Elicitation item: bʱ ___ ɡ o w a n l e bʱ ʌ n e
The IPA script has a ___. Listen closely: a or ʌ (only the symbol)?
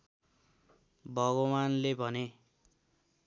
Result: ʌ